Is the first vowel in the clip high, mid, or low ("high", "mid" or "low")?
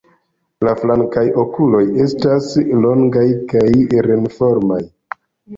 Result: low